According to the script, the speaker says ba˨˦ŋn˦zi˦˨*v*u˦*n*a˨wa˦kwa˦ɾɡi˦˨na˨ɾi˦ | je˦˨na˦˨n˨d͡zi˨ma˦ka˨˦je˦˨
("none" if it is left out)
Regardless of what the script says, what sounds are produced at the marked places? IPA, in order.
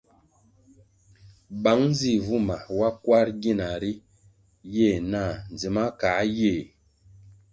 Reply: v, m

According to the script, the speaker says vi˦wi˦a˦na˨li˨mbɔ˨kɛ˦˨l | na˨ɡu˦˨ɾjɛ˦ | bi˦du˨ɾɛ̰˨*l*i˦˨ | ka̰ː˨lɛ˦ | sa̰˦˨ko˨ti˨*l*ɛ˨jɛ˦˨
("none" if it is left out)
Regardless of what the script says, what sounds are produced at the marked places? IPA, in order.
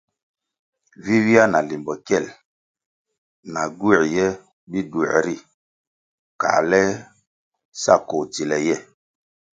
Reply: ɾ, l

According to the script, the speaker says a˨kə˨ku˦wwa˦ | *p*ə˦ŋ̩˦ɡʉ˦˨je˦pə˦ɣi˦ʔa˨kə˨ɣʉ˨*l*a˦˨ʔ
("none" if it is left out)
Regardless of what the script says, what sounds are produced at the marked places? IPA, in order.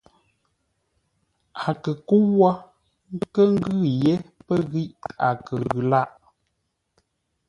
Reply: k, l

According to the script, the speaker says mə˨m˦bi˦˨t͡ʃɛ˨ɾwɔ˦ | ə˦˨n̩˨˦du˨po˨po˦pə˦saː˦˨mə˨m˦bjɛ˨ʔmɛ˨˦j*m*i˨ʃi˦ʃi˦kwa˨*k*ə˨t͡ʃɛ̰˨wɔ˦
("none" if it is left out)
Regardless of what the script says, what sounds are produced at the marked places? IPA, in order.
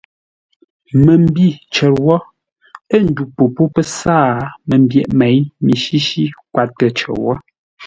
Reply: m, t

